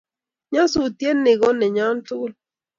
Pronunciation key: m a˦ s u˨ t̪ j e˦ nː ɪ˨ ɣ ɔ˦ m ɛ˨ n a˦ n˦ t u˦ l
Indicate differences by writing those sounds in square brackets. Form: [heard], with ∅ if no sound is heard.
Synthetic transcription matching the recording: [ɲ] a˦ s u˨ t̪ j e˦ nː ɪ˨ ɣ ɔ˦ [n] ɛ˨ [ɲ] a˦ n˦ t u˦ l

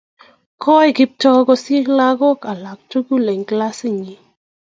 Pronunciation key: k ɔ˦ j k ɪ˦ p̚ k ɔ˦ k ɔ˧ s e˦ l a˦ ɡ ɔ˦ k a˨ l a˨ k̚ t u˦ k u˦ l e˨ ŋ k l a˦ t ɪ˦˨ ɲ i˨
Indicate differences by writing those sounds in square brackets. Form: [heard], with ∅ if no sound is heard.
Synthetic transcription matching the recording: k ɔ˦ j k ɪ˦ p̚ [t] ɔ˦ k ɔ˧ s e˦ l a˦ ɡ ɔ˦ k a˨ l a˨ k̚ t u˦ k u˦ l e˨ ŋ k l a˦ [s] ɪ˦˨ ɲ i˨

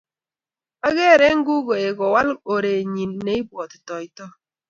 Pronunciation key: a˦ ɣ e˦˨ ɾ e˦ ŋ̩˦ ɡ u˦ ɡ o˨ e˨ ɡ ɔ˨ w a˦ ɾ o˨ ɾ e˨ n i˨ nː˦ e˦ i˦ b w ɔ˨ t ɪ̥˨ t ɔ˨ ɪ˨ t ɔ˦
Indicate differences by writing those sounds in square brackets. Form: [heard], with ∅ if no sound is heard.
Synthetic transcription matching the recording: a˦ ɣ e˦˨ ɾ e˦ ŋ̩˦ ɡ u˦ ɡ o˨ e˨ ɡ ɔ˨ w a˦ [l] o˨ ɾ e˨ [ɲ] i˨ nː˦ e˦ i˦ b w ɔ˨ t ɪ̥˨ t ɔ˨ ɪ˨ t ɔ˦

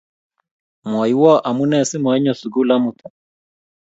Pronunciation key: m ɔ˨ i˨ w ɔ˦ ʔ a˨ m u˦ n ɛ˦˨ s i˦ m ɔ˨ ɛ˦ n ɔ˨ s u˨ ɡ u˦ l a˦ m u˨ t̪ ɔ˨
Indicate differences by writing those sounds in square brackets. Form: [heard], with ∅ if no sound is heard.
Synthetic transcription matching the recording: m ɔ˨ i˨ w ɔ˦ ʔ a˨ m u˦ n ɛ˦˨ s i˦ m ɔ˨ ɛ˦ [ɲ] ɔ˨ s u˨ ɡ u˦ l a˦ m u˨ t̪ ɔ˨

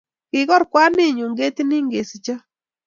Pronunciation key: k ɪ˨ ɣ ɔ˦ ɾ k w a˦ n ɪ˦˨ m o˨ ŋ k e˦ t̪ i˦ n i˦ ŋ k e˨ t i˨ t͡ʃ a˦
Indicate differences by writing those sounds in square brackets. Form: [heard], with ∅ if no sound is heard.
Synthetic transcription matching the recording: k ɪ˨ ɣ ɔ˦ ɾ k w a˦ n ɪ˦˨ [ɲ] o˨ ŋ [ɡ] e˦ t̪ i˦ n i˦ ŋ [ɡ] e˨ [s] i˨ t͡ʃ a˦

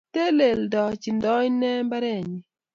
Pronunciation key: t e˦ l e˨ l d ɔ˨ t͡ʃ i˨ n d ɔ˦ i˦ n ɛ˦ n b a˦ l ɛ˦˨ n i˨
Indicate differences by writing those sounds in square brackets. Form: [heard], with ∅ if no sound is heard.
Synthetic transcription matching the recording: t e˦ l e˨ l d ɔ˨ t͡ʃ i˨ n d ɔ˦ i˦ n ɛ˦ [m] b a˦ [ɾ] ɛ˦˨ [ɲ] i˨

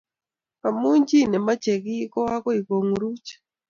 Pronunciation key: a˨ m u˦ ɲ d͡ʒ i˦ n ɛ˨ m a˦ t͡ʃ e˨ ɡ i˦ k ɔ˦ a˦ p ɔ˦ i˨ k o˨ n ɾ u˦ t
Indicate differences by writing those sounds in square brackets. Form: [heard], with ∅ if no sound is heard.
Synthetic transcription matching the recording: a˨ m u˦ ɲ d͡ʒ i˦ n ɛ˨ m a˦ t͡ʃ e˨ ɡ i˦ k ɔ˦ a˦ [k] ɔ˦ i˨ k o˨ [ŋ] ɾ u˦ [t͡ʃ]

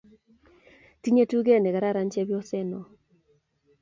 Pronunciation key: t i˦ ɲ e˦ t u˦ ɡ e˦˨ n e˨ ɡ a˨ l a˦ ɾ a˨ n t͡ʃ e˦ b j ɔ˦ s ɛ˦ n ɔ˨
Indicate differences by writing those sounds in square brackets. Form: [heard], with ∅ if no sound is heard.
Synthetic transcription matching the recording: t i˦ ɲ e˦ t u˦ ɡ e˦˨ n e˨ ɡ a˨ [ɾ] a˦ ɾ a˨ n t͡ʃ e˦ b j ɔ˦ s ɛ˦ n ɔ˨

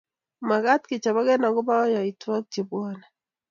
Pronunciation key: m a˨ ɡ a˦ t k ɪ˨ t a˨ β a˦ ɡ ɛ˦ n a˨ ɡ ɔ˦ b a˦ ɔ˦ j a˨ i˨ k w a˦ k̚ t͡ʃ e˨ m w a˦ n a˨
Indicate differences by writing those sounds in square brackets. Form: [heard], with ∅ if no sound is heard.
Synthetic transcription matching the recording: m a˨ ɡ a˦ t k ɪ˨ [t͡ʃ] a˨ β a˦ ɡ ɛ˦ n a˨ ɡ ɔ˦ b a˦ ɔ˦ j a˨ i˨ [t] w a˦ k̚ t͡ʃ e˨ [b] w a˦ n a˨

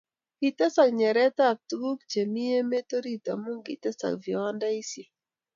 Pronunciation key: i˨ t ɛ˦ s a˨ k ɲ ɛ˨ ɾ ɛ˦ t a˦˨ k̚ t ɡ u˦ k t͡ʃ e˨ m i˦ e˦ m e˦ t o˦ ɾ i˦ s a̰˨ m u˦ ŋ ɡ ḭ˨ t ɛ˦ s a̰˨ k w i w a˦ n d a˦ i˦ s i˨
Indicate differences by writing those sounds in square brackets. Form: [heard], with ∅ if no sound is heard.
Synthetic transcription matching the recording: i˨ t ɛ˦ s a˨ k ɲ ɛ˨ ɾ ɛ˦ t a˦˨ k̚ t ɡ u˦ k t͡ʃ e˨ m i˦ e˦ m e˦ t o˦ ɾ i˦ [t] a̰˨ m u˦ ŋ ɡ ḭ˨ t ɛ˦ s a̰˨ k [v] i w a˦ n d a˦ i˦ s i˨

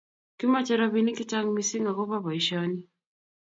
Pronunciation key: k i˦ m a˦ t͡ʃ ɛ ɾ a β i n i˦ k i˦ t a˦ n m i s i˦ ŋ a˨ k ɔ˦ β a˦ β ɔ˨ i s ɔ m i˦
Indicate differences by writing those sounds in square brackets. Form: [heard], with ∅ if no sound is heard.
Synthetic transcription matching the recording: k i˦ m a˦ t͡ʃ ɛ ɾ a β i n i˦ k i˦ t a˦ [ŋ] m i s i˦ ŋ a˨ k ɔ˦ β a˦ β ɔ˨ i [ʃ] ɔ [n] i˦

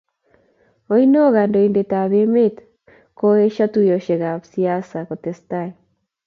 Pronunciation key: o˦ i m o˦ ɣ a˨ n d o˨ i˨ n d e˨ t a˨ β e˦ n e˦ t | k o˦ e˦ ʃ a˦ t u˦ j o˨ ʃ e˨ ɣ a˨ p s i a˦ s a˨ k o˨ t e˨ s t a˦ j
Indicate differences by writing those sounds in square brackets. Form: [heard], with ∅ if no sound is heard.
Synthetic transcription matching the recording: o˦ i [n] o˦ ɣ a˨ n d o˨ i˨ n d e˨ t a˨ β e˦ [m] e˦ t | k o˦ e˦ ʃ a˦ t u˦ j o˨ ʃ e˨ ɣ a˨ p s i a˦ s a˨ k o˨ t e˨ s t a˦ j

